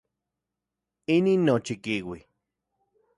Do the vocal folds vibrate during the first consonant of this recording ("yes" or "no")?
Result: yes